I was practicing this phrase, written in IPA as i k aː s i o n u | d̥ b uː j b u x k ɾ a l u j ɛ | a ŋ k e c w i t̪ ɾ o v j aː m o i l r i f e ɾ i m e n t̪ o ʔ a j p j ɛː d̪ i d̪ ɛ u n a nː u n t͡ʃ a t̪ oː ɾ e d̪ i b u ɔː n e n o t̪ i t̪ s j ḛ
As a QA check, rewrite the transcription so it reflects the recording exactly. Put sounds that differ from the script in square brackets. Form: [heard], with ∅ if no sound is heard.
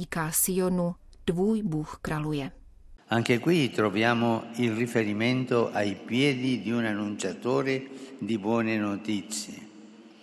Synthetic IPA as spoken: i k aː s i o n u | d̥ [v] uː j b u x k ɾ a l u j ɛ | a ŋ k e [k] w i t̪ ɾ o v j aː m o i l r i f e ɾ i m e n t̪ o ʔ a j p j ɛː d̪ i d̪ [i] u n a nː u n t͡ʃ a t̪ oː ɾ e d̪ i b [w] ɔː n e n o t̪ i t̪ s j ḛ